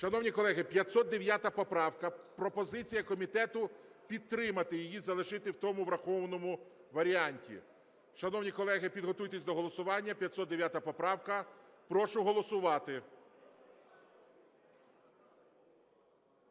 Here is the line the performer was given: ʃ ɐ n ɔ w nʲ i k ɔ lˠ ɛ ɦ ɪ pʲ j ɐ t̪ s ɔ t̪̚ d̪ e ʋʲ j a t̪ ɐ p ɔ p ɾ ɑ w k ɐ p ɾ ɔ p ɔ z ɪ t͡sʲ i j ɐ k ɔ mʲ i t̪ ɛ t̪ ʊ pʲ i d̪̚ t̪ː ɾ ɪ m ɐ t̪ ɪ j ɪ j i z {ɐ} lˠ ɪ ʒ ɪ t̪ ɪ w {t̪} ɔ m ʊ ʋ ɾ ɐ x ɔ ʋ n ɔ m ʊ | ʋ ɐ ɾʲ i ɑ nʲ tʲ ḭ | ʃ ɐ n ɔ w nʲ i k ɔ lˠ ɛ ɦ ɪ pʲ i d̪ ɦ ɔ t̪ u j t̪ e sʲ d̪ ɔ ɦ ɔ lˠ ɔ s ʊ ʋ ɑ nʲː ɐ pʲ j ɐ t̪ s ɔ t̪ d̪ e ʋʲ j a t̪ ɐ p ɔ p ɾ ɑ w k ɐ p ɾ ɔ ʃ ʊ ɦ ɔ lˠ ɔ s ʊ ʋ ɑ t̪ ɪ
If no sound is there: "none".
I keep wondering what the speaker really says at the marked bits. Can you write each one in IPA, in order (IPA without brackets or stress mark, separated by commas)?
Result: ɐ, t̪